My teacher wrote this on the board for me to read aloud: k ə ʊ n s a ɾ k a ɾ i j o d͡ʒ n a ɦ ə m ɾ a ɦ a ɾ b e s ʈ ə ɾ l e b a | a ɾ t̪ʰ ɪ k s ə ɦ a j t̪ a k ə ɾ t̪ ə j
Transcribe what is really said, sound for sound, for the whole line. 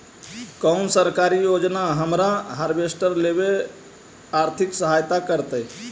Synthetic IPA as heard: k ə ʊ n s ə ɾ k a ɾ i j o d͡ʒ n a ɦ ə m ɾ a ɦ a ɾ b e s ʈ ə ɾ l e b e | a ɾ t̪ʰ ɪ k s ə ɦ a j t̪ a k ə ɾ t̪ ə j